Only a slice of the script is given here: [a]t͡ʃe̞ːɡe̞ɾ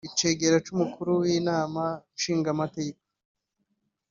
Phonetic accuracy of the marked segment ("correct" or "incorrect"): incorrect